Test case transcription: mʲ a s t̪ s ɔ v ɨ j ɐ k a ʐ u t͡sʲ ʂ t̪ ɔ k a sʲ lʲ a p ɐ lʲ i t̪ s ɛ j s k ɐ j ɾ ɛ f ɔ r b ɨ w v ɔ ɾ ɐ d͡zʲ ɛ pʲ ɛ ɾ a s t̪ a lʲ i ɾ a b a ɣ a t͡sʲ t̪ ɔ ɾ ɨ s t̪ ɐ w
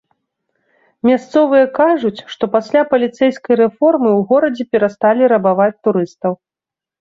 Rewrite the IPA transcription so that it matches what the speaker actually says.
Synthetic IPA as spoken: mʲ a s t̪ s ɔ v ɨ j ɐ k a ʐ u t͡sʲ ʂ t̪ ɔ p a sʲ lʲ a p ɐ lʲ i t̪ s ɛ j s k ɐ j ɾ ɛ f ɔ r m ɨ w ɣ ɔ ɾ ɐ d͡zʲ ɛ pʲ ɛ ɾ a s t̪ a lʲ i ɾ ɐ b a v a t͡sʲ t̪ u ɾ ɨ s t̪ ɐ w